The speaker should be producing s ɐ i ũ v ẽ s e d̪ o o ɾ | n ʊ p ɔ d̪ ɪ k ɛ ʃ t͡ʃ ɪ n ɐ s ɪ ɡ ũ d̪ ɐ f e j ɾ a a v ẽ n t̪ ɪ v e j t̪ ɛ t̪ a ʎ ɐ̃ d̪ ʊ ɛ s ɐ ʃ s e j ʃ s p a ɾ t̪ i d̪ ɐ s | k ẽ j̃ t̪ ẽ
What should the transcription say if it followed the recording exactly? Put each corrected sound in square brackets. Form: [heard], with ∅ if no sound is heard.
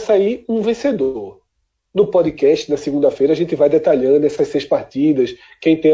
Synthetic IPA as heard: s [a] i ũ v ẽ s e d̪ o o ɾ | n ʊ p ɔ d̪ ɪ k ɛ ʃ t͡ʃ ɪ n ɐ s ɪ ɡ ũ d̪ ɐ f e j ɾ [ɐ] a [ʒ] ẽ n t̪ ɪ v [a] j [d̪] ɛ t̪ a ʎ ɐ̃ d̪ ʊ ɛ s ɐ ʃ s e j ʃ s p a ɾ t̪ i d̪ ɐ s | k ẽ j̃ t̪ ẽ